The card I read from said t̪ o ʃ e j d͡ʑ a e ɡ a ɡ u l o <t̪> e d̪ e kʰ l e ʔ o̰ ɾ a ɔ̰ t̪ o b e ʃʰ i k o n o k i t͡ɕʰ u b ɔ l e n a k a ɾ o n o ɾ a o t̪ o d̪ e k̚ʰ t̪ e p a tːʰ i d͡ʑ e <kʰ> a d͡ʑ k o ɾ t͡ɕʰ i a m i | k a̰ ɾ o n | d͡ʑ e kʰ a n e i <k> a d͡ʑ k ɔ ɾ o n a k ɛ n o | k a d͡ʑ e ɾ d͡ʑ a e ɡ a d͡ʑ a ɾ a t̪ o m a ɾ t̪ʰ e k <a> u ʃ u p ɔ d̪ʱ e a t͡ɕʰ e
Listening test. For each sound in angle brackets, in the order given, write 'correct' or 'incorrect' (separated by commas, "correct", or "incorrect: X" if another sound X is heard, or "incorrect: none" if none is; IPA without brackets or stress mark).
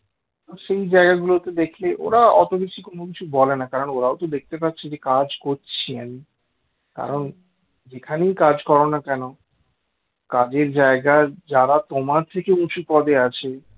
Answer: correct, incorrect: k, correct, incorrect: e